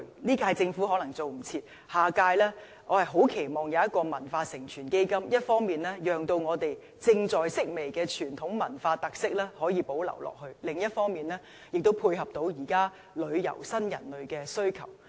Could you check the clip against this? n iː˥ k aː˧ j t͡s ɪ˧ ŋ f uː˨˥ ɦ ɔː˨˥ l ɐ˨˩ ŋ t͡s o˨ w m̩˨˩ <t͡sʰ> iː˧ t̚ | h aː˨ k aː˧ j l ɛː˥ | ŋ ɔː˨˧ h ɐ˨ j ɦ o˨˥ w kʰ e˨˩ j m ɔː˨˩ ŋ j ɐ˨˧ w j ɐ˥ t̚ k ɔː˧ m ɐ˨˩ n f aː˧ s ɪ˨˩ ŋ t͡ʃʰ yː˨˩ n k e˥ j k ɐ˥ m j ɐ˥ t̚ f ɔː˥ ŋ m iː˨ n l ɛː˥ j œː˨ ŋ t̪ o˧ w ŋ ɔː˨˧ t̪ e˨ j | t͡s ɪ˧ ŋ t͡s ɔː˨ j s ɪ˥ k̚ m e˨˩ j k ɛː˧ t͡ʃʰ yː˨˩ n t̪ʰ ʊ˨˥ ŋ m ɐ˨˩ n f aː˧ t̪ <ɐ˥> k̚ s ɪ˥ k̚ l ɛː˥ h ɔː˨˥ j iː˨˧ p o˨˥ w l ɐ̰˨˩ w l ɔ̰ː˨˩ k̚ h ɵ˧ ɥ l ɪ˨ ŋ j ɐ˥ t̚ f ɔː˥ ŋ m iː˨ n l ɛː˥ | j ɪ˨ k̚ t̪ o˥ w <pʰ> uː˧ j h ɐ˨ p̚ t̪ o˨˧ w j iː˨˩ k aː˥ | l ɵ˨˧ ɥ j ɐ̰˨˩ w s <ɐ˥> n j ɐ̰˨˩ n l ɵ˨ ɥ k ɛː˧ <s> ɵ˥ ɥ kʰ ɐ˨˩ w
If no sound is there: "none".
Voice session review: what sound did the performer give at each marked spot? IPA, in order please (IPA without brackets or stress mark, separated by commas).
t͡sʰ, ɐ˨, pʰ, ɐ˥, s